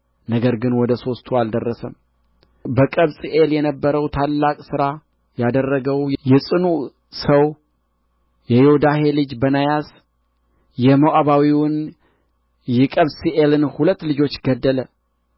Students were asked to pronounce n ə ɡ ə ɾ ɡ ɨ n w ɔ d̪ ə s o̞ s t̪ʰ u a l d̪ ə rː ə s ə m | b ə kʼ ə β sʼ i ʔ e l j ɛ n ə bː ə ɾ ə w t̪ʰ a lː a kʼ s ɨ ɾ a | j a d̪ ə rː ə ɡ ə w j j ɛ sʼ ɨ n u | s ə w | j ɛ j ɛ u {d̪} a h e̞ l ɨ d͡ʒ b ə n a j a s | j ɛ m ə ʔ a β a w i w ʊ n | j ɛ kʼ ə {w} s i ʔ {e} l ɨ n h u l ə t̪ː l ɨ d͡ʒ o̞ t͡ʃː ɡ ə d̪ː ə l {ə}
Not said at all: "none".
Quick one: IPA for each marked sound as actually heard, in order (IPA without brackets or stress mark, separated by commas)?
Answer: d̪, β, e, ə